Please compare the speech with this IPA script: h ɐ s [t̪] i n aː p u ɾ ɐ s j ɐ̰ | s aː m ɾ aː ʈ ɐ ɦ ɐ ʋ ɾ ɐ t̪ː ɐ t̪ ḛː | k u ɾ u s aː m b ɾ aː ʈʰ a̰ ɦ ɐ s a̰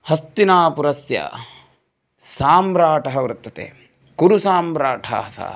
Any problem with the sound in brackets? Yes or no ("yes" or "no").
no